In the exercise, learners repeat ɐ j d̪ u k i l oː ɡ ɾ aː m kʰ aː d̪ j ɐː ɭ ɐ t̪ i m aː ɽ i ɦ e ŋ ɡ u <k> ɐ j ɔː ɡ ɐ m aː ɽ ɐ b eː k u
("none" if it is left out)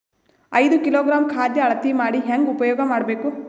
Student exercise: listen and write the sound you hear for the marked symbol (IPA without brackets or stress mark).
p